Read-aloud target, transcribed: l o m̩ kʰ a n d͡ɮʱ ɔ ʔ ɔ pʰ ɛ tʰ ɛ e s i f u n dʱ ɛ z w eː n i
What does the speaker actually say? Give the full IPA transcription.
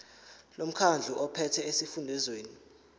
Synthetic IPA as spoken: l o m̩ kʰ a n d͡ɮʱ u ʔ ɔ pʰ ɛ tʰ ɛ e s i f u n dʱ ɛ z w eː n i